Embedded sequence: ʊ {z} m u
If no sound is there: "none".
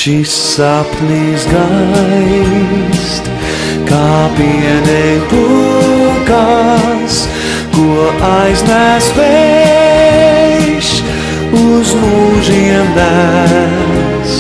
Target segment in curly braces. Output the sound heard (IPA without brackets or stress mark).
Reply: z